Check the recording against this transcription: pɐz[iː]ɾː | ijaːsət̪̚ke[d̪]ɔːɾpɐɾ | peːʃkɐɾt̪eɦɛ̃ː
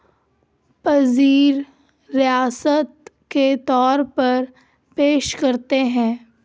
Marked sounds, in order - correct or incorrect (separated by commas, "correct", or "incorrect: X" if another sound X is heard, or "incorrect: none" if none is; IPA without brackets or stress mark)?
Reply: correct, incorrect: t̪